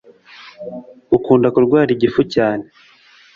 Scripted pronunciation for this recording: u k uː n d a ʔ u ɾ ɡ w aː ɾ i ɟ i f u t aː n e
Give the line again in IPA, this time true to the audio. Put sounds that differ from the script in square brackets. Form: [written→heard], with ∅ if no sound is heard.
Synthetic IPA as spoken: u k uː n d a [ʔ→k] u ɾ ɡ w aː ɾ i ɟ i f u [t→c] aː n e